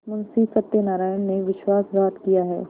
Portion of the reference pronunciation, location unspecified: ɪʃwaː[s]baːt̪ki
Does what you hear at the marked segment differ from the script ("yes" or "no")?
no